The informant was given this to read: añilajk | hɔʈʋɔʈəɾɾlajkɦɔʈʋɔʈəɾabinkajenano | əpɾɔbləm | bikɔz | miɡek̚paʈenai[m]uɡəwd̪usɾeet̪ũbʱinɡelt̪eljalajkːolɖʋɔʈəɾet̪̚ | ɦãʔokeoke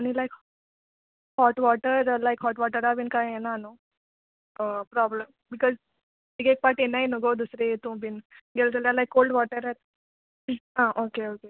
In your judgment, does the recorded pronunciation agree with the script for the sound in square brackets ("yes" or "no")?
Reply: no